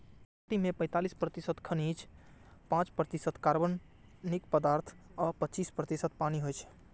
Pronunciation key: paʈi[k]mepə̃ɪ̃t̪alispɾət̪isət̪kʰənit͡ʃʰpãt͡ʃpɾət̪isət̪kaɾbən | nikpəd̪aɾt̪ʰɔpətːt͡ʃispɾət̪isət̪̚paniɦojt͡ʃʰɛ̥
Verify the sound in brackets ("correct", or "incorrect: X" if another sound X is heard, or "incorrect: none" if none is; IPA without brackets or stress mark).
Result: incorrect: none